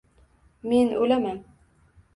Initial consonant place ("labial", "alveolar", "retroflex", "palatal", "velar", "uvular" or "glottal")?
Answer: labial